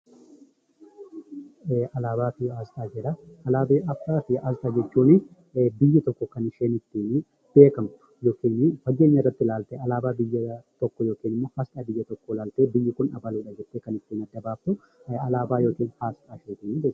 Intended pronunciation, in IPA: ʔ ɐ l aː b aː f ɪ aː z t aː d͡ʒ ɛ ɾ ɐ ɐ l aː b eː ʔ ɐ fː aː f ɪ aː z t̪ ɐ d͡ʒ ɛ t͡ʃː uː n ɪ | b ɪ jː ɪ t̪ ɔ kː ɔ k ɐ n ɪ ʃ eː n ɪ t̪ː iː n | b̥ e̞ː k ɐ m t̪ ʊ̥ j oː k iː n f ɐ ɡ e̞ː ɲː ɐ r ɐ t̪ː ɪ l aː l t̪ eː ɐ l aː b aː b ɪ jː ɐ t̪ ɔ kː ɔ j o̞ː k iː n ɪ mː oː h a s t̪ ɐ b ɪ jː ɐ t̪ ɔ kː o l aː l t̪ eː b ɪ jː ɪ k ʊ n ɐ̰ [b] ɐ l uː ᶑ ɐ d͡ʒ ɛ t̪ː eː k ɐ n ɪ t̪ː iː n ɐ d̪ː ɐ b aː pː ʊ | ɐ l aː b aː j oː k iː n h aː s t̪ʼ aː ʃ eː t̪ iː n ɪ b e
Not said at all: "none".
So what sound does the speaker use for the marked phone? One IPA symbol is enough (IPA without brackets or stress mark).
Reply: b